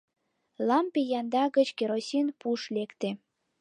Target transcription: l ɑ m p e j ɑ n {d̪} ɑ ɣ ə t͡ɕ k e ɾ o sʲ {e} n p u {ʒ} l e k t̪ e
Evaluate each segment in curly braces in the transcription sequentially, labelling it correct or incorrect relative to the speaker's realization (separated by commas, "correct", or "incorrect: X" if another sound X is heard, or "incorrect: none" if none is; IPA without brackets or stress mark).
correct, incorrect: i, incorrect: ʃ